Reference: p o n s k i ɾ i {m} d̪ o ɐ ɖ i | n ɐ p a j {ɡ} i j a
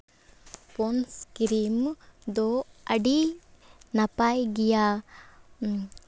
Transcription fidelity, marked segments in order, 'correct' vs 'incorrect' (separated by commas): correct, correct